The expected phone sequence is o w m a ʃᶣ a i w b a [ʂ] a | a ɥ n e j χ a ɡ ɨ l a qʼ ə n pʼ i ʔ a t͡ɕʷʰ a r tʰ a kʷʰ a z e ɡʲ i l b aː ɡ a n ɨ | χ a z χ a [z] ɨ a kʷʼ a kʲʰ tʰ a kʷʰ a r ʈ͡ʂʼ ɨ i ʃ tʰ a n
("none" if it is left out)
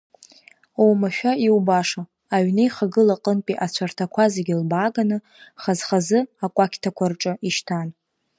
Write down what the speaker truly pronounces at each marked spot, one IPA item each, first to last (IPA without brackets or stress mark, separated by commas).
ʂ, z